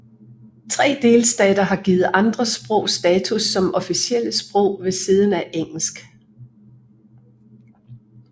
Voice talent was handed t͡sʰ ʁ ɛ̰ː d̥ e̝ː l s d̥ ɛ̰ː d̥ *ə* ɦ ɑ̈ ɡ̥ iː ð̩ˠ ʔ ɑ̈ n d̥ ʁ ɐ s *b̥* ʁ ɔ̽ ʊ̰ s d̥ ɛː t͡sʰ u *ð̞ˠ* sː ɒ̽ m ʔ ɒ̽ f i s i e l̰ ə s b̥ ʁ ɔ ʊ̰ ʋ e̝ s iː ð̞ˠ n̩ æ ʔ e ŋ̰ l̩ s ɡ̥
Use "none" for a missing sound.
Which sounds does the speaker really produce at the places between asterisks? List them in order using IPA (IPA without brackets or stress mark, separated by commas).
ɐ, b̥, none